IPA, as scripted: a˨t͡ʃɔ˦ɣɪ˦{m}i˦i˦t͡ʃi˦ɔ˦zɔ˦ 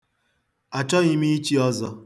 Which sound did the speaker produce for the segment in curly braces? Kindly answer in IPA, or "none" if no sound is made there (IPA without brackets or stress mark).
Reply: m